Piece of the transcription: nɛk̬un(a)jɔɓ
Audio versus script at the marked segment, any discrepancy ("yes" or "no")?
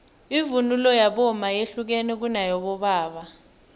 no